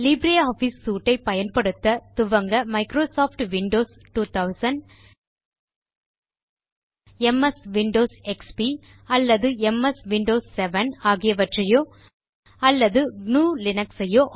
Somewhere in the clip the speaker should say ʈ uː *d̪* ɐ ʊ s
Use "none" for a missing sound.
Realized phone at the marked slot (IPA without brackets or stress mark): t̪